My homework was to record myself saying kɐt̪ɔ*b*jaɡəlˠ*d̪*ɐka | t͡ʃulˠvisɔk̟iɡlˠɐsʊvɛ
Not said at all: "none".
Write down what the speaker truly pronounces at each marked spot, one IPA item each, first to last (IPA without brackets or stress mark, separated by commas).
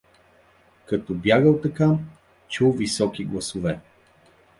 b, t̪